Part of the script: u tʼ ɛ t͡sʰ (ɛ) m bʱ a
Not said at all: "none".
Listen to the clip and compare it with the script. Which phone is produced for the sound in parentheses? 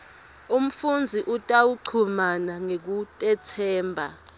ɛː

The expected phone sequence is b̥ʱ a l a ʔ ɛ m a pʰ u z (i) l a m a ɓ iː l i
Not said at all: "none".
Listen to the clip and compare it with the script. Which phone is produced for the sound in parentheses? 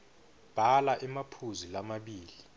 i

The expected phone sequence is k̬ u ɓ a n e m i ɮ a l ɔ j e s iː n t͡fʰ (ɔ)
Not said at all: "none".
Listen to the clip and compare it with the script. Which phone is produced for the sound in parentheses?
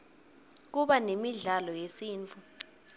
u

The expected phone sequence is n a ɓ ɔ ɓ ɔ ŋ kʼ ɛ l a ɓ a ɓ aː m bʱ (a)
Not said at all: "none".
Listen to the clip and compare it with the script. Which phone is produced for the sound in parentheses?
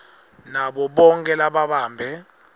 ɛ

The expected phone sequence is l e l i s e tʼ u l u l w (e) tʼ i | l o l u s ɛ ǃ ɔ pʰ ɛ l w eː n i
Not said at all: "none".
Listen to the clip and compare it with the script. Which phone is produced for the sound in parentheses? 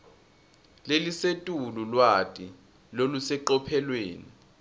a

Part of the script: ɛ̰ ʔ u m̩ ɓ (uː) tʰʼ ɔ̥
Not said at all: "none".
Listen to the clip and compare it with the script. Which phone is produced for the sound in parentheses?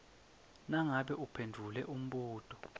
uː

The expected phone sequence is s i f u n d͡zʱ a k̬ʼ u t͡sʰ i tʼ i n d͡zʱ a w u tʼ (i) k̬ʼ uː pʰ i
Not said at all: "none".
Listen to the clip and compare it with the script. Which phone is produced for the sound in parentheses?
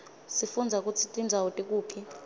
i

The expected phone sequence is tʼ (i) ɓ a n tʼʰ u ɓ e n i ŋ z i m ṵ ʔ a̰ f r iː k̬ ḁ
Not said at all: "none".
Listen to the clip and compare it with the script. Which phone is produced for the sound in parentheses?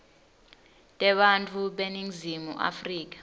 ɛ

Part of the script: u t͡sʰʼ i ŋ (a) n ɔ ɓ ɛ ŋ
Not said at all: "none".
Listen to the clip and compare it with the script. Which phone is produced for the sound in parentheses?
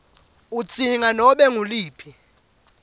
a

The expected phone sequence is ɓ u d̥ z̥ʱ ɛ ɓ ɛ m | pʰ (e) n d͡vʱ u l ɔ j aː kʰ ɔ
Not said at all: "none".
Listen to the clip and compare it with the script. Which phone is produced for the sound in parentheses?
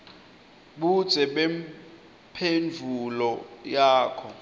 e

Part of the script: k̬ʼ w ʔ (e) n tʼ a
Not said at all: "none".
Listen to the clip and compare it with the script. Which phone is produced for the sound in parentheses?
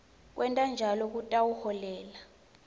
ɛ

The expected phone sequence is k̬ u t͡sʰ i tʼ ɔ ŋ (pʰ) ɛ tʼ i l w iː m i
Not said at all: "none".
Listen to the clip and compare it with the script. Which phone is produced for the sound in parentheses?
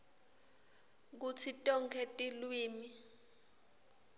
kʰ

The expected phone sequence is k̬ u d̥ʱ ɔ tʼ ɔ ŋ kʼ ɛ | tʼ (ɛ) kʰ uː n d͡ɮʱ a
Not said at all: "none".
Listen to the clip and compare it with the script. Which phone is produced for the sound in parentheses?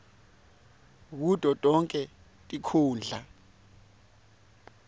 i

